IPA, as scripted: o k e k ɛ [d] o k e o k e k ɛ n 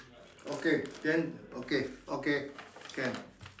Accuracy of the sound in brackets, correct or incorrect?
incorrect: n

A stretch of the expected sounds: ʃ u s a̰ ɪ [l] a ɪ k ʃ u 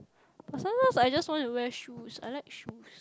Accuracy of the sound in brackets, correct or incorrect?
correct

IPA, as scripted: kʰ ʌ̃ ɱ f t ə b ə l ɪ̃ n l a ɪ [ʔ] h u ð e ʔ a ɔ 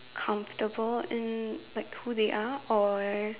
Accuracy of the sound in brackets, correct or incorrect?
incorrect: k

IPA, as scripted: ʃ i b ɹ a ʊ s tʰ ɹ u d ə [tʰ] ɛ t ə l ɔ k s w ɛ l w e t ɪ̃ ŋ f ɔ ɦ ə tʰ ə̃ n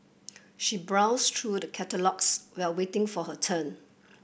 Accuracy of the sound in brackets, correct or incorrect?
incorrect: kʰ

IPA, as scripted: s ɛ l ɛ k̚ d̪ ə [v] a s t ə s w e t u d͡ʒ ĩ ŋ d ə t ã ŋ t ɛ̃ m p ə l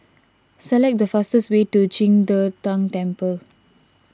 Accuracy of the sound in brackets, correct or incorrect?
incorrect: f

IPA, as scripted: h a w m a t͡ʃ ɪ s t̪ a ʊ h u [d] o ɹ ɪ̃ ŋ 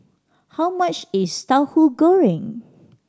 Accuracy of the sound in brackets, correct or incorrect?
incorrect: ɡ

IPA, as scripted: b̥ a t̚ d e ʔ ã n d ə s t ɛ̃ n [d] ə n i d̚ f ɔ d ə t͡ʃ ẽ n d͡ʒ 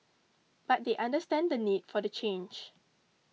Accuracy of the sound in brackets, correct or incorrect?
correct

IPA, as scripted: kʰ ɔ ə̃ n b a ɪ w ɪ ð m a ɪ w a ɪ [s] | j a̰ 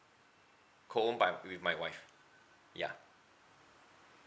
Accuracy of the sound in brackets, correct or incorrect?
incorrect: f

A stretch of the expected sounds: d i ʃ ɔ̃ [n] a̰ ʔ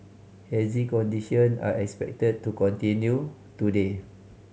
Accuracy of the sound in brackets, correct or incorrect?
correct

